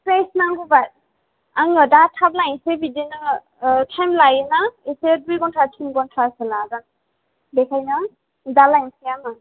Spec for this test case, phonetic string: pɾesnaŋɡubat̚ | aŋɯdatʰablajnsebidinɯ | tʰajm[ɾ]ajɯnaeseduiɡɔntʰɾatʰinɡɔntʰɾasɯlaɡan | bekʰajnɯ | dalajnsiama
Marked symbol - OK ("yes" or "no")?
no